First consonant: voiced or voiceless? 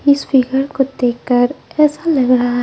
voiceless